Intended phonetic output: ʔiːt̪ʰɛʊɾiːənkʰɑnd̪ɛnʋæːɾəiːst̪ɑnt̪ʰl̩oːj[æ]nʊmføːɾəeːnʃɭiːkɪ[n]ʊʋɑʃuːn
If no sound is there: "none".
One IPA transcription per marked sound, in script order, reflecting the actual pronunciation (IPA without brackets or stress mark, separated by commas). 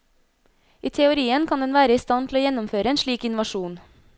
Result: ɛ, n